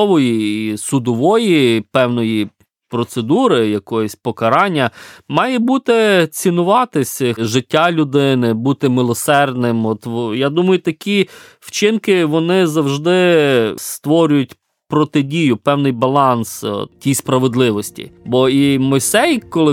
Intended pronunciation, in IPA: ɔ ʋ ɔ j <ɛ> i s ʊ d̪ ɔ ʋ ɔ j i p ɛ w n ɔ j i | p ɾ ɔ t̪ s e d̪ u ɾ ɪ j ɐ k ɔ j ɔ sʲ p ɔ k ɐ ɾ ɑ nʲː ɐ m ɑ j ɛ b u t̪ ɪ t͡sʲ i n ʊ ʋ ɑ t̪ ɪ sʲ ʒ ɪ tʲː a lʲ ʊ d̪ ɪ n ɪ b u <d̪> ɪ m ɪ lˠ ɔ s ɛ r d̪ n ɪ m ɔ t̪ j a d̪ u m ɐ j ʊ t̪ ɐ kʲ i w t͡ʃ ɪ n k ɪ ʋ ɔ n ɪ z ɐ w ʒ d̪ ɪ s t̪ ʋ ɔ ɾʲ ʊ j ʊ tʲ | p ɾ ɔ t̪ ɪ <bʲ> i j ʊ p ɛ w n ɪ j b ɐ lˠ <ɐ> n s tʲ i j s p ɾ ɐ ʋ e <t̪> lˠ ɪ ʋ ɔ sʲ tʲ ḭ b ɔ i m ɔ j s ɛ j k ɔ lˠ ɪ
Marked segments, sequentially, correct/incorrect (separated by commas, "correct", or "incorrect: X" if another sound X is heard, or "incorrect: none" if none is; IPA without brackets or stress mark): incorrect: i, incorrect: t̪, incorrect: dʲ, incorrect: ɑ, incorrect: d̪